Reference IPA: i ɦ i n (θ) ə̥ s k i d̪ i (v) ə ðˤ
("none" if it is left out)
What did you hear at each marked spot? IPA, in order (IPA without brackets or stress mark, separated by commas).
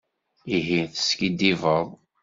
θ, v